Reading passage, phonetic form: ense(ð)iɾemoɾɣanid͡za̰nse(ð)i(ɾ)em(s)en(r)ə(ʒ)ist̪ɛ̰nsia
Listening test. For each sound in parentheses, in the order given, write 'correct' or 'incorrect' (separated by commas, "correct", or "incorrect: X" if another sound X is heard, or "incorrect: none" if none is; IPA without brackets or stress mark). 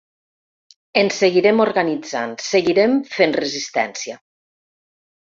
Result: incorrect: ɣ, incorrect: ɣ, correct, incorrect: f, correct, incorrect: z